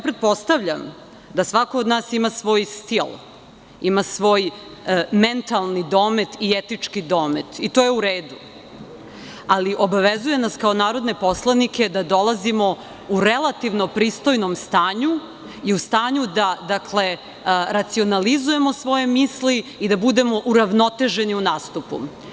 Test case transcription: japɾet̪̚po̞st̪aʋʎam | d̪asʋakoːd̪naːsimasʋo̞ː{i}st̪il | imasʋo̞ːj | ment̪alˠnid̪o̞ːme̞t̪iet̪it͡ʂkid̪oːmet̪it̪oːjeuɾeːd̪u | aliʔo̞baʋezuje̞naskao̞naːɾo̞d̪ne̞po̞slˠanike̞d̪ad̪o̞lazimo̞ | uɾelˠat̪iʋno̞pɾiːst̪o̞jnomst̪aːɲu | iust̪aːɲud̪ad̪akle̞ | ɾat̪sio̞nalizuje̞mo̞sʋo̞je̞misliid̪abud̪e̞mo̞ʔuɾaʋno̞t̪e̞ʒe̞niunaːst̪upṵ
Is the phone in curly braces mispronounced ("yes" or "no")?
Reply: yes